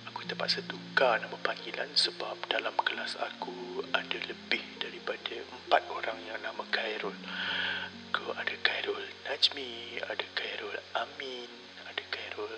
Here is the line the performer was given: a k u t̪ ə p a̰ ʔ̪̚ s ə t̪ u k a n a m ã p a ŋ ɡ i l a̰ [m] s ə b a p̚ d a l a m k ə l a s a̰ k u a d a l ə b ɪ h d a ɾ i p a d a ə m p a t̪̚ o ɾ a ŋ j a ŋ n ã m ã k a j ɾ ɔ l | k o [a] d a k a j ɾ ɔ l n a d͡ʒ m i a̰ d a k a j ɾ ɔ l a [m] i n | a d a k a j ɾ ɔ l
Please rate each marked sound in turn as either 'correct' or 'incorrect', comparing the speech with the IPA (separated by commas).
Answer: incorrect, correct, correct